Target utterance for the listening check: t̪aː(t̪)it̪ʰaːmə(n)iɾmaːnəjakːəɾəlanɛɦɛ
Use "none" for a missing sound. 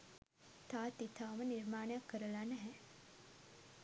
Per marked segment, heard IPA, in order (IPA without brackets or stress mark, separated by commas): t̪, n